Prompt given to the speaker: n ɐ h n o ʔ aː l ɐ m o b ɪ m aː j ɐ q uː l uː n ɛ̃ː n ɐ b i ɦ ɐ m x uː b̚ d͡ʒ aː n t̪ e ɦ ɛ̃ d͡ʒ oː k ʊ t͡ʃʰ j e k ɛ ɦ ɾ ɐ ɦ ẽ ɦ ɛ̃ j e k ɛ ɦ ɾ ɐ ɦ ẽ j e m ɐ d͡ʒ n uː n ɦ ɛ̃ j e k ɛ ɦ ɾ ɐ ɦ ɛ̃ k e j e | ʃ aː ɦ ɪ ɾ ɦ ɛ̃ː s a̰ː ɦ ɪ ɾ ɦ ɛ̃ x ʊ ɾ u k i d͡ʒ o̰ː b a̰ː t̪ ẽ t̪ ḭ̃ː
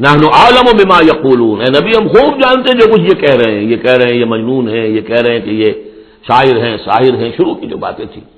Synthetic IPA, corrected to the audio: n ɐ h n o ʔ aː l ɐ m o b ɪ m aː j ɐ q uː l uː n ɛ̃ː n ɐ b i ɦ ɐ m x uː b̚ d͡ʒ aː n t̪ e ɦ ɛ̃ d͡ʒ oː k ʊ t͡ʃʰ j e k ɛ ɦ ɾ ɐ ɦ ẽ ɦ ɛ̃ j e k ɛ ɦ ɾ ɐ ɦ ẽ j e m ɐ d͡ʒ n uː n ɦ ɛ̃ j e k ɛ ɦ ɾ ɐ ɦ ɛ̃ k e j e | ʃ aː ɦ ɪ ɾ ɦ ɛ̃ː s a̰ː ɦ ɪ ɾ ɦ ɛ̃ ʃ ʊ ɾ u k i d͡ʒ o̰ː b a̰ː t̪ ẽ t̪ʰ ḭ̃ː